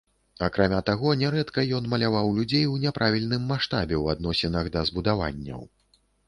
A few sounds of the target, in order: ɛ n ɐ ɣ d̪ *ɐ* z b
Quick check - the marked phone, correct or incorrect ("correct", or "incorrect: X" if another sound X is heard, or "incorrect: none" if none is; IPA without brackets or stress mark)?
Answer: correct